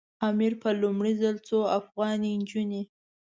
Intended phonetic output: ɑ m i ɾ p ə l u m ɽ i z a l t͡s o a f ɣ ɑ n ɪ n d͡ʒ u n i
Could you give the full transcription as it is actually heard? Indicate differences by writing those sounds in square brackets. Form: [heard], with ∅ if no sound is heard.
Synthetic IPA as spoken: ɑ m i ɾ p ə l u m ɽ i z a l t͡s o a f ɣ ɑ n [i] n d͡ʒ u n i

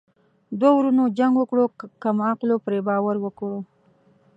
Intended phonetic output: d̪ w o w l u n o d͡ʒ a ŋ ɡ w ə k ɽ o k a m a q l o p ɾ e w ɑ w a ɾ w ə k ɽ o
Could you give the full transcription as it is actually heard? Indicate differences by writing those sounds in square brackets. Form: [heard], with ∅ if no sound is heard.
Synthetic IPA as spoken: d̪ w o w [ɾ] u n o d͡ʒ a ŋ ɡ w ə k ɽ o k a m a q l o p ɾ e [b] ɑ w a ɾ w ə k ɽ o

